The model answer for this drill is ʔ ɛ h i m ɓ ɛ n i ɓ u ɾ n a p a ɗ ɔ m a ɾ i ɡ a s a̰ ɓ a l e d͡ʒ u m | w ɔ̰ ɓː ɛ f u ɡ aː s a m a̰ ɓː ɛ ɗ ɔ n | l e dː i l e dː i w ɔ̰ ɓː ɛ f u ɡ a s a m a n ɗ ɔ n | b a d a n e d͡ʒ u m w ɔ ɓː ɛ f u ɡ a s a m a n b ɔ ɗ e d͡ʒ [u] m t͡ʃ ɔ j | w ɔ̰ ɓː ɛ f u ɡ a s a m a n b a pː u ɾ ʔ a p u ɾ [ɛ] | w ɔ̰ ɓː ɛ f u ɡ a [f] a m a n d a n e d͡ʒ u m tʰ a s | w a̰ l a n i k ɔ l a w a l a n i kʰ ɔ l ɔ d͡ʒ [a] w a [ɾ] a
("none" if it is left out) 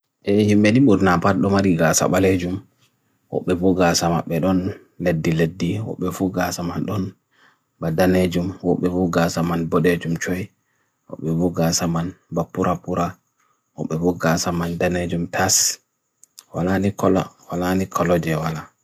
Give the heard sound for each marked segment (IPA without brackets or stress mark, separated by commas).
u, a, s, ɛ, l